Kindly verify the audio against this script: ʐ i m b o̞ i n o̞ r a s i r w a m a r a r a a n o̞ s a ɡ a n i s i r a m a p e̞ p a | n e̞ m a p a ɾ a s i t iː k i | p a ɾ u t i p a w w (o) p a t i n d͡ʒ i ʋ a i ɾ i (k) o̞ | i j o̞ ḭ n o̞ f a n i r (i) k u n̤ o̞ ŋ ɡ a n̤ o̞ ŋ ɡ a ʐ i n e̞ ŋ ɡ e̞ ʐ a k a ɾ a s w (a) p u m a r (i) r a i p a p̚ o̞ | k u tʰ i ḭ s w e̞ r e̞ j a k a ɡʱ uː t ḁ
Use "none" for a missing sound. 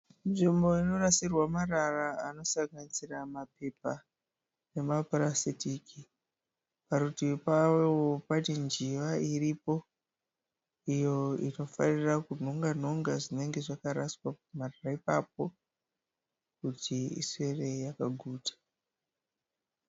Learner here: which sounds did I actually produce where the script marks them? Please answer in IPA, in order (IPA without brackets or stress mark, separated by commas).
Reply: o, p, a, a, a